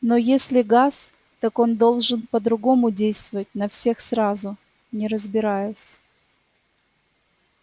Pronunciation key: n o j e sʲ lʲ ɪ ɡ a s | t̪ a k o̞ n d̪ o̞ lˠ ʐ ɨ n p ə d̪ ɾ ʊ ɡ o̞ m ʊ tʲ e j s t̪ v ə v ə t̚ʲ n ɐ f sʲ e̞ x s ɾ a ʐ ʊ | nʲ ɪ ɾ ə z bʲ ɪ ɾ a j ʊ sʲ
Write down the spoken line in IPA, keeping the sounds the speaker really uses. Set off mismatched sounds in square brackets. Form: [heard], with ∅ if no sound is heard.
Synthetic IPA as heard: n o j e sʲ lʲ ɪ ɡ a s | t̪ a k o̞ n d̪ o̞ lˠ ʐ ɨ n p ə d̪ ɾ ʊ ɡ o̞ m ʊ [dʲ] e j s t̪ v ə v ə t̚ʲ n ɐ f sʲ e̞ x s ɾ a [z] ʊ | nʲ ɪ ɾ ə z bʲ ɪ ɾ a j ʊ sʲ